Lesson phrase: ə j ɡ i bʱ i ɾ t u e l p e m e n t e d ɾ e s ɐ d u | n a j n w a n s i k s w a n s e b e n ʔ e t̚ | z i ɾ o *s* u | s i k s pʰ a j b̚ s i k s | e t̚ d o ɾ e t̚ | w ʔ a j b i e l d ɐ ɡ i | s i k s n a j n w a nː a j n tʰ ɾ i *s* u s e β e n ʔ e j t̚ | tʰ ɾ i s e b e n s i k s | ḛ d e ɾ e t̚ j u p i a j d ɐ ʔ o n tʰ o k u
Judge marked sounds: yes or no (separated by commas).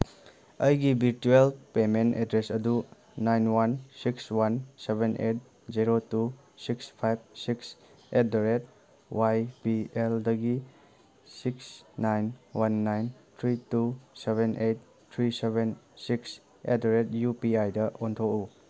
no, no